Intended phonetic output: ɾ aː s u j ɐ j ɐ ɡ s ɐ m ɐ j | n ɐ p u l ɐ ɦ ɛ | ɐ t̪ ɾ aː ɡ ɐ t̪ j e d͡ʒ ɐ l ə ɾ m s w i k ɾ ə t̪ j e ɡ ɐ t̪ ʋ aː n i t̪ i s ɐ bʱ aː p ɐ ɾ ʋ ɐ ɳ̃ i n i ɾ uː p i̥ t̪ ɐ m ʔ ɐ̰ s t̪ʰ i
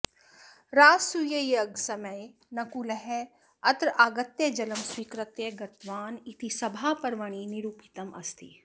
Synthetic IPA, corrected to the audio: ɾ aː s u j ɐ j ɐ ɡ s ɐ m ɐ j | n ɐ k u l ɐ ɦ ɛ | ɐ t̪ ɾ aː ɡ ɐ t̪ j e d͡ʒ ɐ l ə m s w i k ɾ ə t̪ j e ɡ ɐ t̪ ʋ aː n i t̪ i s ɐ bʱ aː p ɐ ɾ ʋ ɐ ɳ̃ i n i ɾ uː p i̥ t̪ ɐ m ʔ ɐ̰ s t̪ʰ i